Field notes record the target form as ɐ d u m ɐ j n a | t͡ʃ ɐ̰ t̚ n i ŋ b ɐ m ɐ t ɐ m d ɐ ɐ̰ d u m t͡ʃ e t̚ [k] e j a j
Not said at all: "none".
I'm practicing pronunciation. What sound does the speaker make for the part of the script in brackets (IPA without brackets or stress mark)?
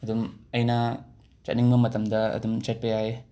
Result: p